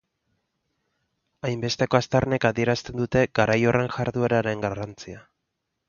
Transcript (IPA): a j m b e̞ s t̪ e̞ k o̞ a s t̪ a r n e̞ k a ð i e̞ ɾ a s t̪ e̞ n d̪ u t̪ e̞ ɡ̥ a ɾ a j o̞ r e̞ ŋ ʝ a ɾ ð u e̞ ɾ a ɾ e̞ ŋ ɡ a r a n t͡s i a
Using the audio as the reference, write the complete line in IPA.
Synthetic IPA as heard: a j m b e̞ s t̪ e̞ k o̞ a s t̪ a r n e̞ k a ð i e̞ ɾ a s t̪ e̞ n d̪ u t̪ e̞ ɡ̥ a ɾ a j o̞ r e̞ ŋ ʝ a ɾ ð u e̞ ɾ a ɾ e̞ ŋ ɡ a r a n t͡s i a